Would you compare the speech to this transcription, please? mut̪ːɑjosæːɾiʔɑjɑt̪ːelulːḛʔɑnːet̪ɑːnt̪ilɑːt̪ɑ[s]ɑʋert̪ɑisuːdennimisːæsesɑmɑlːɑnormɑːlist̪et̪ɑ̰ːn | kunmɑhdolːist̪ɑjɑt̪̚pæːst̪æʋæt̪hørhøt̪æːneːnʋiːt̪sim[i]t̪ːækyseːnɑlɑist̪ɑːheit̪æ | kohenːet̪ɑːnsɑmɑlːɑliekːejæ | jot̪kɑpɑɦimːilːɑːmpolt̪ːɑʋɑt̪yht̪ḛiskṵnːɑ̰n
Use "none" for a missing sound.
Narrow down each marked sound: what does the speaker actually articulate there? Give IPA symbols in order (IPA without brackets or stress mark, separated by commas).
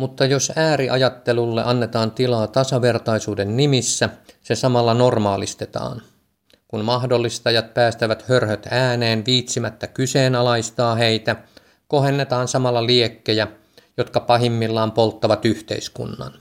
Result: s, æ